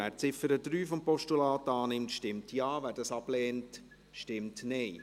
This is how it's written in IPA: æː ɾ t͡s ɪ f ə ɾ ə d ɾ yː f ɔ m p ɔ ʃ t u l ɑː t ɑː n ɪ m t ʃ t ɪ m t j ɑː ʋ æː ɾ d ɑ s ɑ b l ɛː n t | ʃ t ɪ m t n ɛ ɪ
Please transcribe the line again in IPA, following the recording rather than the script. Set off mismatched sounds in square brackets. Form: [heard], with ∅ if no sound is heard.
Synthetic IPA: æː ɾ t͡s ɪ f ə ɾ ə d ɾ yː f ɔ m p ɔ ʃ t u l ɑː t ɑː n ɪ m t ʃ t ɪ m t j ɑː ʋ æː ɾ d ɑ s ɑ b l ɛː n t | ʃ t ɪ m t n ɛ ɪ